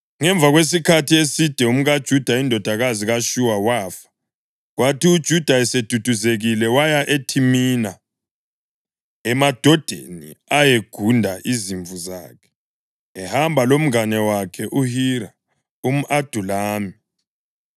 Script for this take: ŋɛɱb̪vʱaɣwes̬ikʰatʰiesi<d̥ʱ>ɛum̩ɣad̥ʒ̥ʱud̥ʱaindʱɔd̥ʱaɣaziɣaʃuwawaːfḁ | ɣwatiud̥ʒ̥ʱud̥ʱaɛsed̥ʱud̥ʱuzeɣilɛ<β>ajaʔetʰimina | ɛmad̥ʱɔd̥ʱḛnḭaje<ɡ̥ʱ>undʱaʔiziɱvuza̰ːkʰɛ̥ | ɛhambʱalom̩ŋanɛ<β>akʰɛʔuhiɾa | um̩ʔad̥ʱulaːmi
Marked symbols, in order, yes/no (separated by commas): yes, no, yes, no